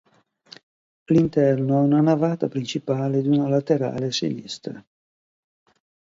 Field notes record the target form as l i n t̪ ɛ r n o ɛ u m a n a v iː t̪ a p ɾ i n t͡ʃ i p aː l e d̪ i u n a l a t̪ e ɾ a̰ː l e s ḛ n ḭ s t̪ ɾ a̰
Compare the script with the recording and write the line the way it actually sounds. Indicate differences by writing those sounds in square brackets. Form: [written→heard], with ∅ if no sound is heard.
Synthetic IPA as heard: l i n t̪ ɛ r n o ɛ u [m→n] a n a v [iː→aː] t̪ a p ɾ i n t͡ʃ i p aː l e d̪ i u n a l a t̪ e ɾ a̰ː l e s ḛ n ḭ s t̪ ɾ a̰